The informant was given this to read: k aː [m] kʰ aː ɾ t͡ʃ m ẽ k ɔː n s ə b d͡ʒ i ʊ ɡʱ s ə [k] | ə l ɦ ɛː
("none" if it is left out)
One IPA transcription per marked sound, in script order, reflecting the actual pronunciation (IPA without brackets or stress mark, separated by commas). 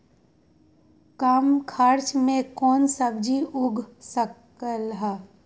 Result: m, k